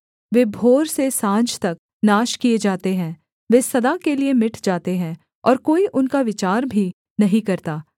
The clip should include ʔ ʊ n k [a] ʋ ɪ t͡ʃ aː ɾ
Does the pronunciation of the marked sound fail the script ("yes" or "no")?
no